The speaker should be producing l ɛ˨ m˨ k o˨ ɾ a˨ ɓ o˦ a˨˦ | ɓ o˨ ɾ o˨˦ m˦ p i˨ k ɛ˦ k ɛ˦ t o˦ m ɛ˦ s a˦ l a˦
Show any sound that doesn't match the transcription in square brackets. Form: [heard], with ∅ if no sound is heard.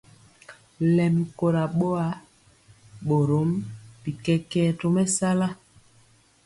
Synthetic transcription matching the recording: l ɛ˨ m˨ k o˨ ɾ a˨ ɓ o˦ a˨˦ | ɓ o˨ ɾ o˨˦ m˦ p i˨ k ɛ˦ k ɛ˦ t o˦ m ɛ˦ s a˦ l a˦